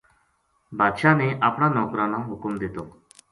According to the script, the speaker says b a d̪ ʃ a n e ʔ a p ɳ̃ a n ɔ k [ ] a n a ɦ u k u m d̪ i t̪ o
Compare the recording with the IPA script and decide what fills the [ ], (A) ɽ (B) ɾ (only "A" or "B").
B